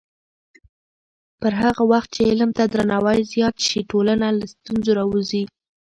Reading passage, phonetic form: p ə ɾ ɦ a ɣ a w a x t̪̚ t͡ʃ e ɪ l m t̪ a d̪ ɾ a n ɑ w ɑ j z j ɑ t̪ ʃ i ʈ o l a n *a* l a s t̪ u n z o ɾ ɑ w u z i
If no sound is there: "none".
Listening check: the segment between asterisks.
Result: a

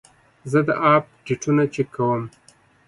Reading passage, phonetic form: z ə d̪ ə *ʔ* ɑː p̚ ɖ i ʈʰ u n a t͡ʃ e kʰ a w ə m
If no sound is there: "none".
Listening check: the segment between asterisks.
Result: ʔ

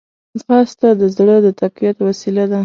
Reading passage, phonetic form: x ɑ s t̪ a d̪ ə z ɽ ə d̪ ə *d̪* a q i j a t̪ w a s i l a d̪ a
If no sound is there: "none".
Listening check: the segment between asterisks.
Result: t̪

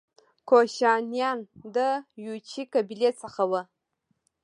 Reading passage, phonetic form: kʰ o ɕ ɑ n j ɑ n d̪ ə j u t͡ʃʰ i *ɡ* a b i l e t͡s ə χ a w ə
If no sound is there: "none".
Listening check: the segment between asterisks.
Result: k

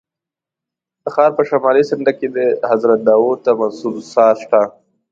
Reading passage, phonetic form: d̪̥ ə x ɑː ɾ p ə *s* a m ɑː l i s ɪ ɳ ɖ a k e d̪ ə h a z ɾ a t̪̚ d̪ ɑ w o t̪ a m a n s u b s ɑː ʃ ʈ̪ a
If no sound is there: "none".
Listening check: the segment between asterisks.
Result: ʃ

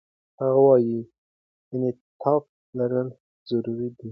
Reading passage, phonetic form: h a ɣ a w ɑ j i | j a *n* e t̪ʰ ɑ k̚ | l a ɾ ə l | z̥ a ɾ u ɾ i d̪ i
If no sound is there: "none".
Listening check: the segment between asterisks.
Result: n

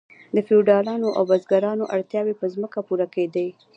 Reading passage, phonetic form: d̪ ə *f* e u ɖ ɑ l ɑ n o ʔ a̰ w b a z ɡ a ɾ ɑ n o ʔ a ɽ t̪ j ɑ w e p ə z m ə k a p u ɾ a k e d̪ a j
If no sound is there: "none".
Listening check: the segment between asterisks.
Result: f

